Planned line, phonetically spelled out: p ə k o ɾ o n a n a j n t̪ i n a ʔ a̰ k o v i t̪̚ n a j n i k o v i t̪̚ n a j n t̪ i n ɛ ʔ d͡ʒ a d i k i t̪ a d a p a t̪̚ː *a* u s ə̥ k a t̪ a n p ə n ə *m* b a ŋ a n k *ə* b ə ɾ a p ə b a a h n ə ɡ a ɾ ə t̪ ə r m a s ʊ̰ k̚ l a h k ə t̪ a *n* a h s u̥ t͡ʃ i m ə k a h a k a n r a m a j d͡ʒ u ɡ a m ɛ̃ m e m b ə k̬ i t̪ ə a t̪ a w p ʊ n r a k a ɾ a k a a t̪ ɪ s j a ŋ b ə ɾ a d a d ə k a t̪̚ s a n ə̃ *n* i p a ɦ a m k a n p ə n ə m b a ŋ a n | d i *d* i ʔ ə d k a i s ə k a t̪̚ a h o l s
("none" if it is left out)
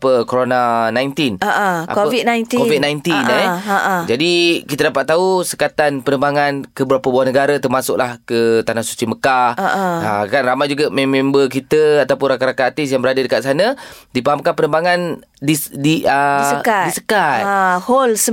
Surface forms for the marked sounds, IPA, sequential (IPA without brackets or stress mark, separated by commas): a, m, ə, n, d, d